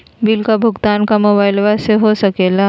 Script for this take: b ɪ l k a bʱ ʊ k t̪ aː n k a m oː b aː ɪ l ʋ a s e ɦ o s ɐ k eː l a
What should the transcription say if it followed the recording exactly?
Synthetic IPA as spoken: b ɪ l k a bʱ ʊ ɡ t̪ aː n k a m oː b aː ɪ l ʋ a s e ɦ o s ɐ k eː l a